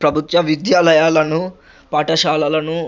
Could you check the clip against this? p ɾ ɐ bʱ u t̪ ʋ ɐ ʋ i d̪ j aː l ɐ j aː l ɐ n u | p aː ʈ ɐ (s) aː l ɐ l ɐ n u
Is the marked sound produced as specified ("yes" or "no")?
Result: no